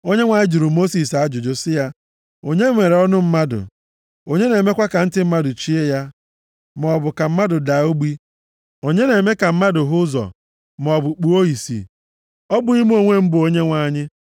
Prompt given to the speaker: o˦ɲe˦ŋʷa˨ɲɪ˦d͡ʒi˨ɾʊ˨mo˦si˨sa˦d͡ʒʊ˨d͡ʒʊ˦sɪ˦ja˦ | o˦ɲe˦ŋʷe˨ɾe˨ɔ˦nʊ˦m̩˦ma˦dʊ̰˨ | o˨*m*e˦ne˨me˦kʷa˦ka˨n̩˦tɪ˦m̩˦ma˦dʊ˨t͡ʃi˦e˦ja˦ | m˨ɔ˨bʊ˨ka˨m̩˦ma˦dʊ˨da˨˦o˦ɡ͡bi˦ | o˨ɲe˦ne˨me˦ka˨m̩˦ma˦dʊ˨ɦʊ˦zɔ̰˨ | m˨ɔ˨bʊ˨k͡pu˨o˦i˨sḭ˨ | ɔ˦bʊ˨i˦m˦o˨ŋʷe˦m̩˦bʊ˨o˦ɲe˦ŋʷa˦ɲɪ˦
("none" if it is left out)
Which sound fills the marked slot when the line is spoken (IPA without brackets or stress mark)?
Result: ɲ